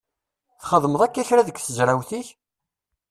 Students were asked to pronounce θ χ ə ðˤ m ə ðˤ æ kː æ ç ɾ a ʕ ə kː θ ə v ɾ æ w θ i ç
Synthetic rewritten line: θ χ ə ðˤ m ə ðˤ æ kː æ ç ɾ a ð ə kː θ ə z ɾ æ w θ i ç